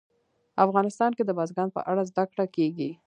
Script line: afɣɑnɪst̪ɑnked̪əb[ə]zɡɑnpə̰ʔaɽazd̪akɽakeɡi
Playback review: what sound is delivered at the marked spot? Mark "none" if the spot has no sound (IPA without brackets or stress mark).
ɑ